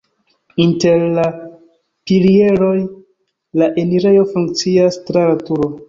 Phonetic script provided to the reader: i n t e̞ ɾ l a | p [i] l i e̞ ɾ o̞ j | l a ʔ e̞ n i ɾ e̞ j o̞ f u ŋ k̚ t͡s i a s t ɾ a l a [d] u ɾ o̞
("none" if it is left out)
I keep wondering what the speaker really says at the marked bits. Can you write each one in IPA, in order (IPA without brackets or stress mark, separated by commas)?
i, t